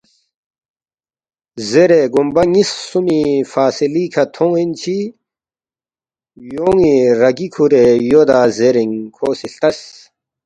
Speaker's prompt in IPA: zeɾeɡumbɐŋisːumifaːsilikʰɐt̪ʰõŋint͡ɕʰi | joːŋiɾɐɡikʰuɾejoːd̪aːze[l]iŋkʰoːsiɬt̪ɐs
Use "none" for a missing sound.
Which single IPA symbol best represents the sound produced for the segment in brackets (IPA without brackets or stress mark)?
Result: ɾ